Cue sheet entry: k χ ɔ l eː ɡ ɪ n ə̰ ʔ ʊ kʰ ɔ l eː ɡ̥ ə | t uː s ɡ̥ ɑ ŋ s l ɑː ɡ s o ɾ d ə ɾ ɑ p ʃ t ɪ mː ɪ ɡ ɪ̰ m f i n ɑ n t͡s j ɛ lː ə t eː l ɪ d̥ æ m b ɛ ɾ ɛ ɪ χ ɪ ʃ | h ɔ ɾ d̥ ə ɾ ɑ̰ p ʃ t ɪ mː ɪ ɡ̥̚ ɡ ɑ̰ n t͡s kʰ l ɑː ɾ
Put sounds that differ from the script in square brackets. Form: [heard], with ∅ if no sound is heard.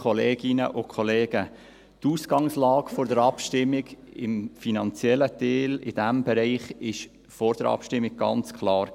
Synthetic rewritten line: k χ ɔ l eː ɡ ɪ n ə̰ ʔ ʊ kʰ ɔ l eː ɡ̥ ə | t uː s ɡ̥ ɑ ŋ s l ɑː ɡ [f] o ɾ d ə ɾ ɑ p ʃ t ɪ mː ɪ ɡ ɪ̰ m f i n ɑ n t͡s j ɛ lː ə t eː l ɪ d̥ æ m b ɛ ɾ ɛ ɪ χ ɪ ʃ | [f] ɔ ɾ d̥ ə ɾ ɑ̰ p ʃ t ɪ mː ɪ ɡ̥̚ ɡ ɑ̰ n t͡s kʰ l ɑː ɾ